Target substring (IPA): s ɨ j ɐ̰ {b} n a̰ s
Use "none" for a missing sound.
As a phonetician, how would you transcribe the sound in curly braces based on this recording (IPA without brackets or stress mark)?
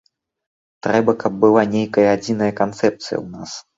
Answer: w